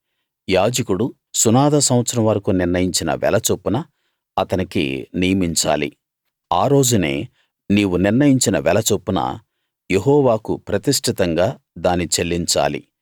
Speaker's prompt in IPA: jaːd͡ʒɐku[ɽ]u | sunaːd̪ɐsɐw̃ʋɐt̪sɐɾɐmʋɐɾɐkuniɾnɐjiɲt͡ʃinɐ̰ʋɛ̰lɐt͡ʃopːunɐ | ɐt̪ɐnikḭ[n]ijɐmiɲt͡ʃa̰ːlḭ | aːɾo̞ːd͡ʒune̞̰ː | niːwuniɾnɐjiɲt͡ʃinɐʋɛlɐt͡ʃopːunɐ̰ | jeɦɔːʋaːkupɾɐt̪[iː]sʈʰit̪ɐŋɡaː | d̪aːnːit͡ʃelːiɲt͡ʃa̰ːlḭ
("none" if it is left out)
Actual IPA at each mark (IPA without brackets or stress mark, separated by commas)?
ɽ, n, i